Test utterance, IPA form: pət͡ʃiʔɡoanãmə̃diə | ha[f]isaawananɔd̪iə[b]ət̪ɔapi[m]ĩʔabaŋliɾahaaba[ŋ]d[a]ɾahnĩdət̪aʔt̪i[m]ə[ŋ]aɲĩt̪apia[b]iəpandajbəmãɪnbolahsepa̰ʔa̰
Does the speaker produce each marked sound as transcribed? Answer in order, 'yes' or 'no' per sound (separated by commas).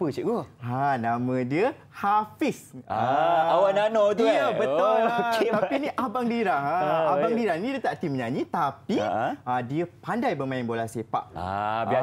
yes, yes, no, yes, no, yes, no, no